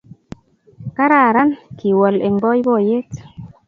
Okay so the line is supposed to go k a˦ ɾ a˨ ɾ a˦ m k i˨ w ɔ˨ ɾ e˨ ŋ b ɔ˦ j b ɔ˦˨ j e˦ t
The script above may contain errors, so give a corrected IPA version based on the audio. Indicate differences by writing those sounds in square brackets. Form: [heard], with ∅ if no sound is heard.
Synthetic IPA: k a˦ ɾ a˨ ɾ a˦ [n] k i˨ w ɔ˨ [l] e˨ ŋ b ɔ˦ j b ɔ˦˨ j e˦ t